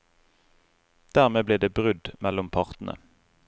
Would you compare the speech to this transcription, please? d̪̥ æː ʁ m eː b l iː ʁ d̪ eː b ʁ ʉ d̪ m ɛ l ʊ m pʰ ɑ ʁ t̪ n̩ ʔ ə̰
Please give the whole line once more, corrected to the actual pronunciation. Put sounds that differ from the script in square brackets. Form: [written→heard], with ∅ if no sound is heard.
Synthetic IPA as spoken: d̪̥ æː ʁ m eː b l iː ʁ d̪ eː b ʁ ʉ d̪ m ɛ l ʊ m pʰ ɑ ʁ t̪ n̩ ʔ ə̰